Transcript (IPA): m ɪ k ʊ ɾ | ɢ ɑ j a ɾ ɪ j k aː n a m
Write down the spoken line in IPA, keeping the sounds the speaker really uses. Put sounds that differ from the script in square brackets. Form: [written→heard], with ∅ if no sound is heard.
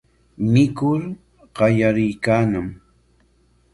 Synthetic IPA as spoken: m ɪ k ʊ ɾ | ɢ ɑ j a ɾ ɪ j k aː n a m